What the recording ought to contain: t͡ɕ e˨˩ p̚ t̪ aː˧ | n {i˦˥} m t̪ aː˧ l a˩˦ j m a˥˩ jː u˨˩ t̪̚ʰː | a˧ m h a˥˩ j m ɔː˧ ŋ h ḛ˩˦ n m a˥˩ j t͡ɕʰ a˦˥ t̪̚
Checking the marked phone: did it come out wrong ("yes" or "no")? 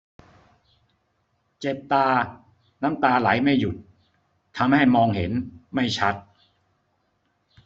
yes